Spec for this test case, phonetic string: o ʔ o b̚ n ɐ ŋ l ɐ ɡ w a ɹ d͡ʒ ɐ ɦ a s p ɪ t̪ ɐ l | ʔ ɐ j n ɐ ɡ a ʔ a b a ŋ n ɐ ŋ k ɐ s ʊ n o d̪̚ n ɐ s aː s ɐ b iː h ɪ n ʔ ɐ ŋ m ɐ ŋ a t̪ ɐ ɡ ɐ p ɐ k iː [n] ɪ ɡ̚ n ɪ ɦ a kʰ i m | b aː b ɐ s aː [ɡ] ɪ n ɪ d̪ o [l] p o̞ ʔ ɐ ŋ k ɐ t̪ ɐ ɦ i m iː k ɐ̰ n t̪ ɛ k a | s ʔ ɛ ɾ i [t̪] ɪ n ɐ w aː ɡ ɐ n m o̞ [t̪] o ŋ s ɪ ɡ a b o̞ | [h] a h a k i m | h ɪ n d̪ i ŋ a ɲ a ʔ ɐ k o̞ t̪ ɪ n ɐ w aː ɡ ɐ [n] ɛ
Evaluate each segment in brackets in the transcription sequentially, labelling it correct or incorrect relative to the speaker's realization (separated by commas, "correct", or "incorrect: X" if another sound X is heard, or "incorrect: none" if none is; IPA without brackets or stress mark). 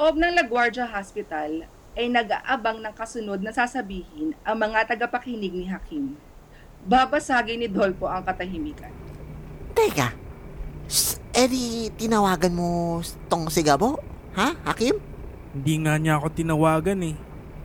correct, correct, correct, correct, correct, correct, correct